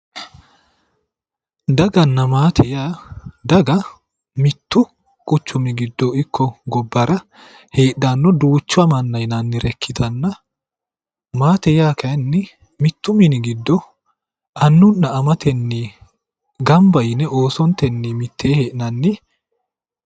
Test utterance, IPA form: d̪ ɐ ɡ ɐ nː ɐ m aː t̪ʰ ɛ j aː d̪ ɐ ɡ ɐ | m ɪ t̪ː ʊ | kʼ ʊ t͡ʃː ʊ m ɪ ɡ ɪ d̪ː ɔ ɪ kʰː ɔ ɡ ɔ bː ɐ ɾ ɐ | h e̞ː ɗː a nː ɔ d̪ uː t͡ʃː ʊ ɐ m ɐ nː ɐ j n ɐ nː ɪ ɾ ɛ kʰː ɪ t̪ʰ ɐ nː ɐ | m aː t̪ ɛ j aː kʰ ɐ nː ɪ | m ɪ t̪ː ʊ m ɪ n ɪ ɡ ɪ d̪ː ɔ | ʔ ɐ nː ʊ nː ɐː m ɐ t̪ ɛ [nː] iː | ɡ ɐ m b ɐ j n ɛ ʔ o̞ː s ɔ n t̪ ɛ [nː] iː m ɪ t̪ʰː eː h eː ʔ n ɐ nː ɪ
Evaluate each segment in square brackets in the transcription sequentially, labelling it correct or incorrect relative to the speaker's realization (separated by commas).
correct, correct